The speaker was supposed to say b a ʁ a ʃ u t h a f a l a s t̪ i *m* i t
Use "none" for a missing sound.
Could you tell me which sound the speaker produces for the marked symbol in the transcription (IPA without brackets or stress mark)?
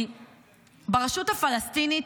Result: n